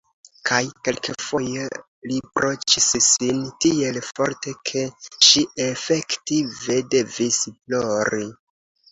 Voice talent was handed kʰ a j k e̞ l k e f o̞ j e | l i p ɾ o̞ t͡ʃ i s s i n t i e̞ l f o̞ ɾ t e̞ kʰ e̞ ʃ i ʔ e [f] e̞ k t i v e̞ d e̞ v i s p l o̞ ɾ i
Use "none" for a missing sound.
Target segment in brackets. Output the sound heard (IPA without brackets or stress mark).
f